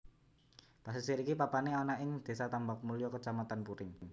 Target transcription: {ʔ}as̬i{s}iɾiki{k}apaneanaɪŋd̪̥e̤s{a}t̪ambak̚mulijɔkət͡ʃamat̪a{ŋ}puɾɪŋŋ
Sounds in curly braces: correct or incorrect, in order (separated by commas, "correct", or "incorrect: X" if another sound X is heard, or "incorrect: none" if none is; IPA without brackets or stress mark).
incorrect: p, correct, incorrect: p, correct, incorrect: n